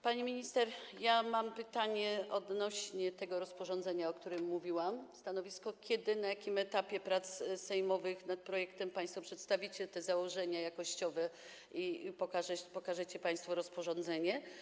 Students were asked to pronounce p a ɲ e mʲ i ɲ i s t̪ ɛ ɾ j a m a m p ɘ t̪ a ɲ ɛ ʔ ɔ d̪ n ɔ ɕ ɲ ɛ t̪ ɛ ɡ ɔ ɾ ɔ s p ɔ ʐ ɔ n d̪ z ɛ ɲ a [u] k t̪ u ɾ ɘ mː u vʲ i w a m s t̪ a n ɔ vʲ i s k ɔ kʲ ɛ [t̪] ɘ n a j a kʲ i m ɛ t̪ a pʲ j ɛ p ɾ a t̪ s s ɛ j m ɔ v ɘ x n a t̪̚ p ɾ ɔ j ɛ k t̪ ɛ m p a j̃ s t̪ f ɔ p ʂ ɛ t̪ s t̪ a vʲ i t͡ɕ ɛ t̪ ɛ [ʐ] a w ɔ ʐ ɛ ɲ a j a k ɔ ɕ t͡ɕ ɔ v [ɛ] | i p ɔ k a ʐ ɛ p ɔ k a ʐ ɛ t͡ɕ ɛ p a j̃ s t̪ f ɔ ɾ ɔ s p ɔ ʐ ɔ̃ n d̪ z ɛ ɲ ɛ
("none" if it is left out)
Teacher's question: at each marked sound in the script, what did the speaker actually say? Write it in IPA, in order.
ɔ, d̪, z, ɛ

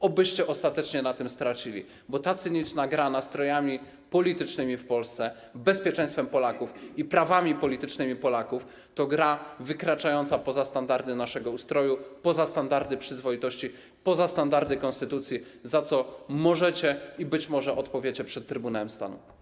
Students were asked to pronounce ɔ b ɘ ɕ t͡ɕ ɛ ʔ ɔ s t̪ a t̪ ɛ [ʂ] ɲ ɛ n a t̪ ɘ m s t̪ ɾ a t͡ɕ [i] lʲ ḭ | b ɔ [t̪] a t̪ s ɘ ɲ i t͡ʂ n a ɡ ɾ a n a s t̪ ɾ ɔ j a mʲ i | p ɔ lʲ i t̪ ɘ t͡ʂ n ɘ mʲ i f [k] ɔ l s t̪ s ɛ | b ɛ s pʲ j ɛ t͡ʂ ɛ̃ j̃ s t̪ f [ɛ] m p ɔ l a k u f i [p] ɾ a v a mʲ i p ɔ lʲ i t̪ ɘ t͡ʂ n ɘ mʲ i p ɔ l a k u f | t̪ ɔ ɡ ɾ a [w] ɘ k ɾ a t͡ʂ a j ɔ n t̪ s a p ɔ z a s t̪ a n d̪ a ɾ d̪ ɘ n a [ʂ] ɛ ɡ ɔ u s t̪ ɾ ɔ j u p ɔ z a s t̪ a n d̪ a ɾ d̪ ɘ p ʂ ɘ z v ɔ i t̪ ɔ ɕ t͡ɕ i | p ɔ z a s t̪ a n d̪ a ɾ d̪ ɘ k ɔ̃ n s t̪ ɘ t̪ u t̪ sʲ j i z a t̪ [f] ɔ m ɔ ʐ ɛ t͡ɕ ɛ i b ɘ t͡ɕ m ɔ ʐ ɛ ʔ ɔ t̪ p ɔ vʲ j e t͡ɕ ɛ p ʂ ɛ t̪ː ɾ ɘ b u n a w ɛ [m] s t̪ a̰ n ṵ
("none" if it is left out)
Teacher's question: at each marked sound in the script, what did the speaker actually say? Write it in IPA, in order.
t͡ʂ, i, t̪, p, ɛ, p, v, ʂ, s, m

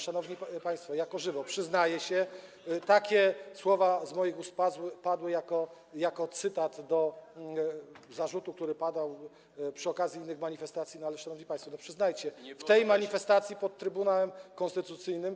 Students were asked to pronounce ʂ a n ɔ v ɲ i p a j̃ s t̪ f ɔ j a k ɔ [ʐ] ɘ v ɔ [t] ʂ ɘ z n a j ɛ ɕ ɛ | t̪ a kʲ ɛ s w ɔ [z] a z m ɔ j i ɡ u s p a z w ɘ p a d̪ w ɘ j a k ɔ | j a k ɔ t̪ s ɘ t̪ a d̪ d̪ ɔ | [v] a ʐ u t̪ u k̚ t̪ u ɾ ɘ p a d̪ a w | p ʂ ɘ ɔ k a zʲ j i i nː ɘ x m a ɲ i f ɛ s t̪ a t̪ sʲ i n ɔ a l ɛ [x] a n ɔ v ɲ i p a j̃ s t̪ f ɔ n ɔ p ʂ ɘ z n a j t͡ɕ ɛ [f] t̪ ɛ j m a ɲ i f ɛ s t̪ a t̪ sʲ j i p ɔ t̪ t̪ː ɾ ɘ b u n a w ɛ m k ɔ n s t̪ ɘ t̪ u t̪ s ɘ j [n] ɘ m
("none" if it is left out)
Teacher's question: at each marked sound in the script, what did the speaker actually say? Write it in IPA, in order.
ʐ, p, v, z, ʂ, f, n

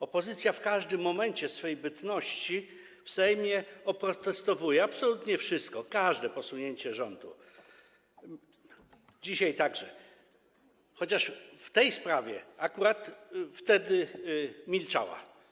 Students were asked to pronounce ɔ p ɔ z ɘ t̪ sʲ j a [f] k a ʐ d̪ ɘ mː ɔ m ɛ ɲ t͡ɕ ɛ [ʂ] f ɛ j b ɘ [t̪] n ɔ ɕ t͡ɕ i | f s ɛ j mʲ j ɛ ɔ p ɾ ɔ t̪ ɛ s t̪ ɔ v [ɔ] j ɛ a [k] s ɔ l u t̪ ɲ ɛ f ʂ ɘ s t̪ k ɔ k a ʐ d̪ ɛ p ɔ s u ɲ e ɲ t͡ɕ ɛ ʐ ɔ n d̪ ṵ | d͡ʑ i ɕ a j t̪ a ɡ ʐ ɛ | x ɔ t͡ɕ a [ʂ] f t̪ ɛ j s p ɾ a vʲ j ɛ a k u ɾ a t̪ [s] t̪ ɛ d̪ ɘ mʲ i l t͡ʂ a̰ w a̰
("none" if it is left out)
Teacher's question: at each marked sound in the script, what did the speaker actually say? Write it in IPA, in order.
f, s, t̪, u, p, ʂ, f

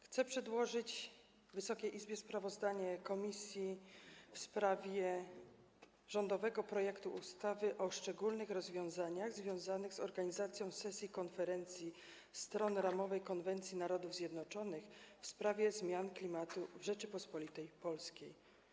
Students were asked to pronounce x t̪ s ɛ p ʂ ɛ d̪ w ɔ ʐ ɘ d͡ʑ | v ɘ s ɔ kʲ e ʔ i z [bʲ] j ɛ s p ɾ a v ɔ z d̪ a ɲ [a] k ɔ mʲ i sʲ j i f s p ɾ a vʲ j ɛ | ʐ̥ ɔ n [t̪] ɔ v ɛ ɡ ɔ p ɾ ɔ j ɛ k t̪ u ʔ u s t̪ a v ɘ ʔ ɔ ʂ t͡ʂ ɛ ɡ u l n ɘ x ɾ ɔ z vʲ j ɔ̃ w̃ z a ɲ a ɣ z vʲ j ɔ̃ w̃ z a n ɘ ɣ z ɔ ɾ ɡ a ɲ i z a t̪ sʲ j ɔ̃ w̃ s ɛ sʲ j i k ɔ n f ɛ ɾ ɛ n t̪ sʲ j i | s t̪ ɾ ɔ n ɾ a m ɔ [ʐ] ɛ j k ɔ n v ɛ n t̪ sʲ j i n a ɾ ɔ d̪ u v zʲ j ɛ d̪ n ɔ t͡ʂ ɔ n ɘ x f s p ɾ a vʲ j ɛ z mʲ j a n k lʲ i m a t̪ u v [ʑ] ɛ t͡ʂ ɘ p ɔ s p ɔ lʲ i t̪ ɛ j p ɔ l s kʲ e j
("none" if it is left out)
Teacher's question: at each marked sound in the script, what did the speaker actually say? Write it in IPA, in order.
bʲ, ɛ, d̪, v, ʐ

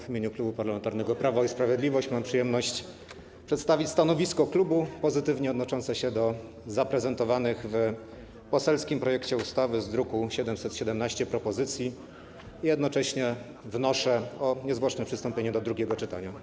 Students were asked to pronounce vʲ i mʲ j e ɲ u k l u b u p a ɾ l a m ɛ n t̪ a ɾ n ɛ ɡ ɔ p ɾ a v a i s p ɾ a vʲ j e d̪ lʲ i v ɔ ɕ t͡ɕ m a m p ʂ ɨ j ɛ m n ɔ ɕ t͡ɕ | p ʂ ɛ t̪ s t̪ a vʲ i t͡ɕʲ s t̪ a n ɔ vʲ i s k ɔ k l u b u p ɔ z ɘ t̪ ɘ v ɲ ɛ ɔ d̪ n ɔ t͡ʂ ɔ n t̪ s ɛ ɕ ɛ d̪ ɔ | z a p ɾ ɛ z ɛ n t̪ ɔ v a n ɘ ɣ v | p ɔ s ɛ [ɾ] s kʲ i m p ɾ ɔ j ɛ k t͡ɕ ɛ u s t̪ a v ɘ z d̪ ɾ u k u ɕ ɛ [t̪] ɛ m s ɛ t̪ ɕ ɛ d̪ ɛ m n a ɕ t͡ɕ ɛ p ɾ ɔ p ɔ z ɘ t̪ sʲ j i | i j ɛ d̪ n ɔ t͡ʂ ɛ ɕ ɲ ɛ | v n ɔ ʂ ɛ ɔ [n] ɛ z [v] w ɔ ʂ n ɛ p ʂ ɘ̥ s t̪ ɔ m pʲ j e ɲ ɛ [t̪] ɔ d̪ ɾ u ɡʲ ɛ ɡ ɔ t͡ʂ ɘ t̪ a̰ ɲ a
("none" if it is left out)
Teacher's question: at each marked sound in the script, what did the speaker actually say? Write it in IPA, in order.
l, d̪, ɲ, v, d̪

